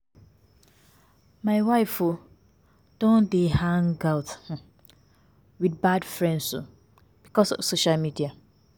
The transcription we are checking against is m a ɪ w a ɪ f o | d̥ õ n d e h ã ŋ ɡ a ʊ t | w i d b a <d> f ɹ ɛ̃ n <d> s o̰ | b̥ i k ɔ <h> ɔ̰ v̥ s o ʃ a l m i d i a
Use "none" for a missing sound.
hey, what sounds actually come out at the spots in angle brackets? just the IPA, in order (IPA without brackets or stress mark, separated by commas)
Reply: d, d, s